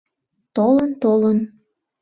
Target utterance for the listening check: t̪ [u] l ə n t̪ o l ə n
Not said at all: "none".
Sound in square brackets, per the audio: o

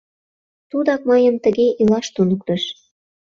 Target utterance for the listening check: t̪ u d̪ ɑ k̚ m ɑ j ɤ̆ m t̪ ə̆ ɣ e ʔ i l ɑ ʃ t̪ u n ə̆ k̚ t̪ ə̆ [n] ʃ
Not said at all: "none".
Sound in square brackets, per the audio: none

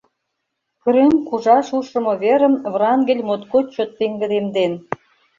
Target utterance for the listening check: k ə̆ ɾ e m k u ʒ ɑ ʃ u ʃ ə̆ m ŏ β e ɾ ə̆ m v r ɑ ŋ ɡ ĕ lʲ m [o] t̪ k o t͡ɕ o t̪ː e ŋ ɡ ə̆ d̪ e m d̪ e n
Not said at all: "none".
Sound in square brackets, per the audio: o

